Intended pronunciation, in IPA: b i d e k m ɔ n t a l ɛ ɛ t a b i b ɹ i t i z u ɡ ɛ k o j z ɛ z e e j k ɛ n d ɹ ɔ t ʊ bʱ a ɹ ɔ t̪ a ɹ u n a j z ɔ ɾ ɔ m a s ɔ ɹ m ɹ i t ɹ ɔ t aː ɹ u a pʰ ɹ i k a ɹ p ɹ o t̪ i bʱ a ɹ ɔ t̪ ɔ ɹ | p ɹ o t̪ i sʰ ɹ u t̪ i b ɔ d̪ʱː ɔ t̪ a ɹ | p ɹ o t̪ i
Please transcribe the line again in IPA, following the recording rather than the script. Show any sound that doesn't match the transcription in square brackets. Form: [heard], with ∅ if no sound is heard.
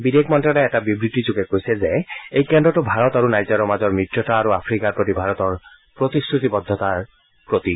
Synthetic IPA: b i d e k m ɔ n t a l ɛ ɛ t a b i b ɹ i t i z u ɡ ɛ k o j [s] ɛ z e e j k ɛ n d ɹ ɔ t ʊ bʱ a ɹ ɔ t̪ a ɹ u n a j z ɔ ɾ ɔ m a [z] ɔ ɹ m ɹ i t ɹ ɔ t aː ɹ u a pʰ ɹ i k a ɹ p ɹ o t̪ i bʱ a ɹ ɔ t̪ ɔ ɹ | p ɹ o t̪ i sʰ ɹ u t̪ i b ɔ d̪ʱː ɔ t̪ a ɹ | p ɹ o t̪ i